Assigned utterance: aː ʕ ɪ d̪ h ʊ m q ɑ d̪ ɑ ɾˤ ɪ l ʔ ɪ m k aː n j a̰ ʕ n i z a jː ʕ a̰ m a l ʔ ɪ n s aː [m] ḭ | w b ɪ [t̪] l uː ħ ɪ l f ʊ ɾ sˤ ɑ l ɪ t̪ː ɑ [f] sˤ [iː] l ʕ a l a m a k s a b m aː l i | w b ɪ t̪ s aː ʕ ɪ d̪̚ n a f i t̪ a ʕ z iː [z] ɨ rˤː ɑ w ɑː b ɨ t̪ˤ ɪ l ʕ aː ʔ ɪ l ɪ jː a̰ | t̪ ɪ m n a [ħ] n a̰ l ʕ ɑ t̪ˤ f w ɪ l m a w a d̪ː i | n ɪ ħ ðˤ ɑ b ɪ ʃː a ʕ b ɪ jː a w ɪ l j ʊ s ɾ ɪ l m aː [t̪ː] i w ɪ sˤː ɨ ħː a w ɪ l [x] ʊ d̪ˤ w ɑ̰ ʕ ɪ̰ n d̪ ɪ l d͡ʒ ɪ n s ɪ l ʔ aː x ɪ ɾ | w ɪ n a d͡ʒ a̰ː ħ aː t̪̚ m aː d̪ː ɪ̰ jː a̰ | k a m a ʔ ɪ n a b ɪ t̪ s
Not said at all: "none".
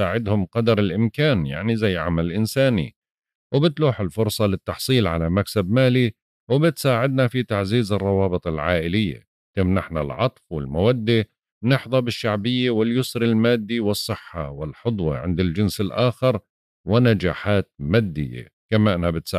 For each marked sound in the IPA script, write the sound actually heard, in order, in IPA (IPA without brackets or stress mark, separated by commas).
n, t̪, ħ, iː, z, ħ, d̪ː, ħ